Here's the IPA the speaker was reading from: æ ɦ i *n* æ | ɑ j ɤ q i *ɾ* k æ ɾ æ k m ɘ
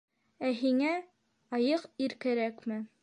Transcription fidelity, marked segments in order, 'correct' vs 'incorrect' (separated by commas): incorrect, correct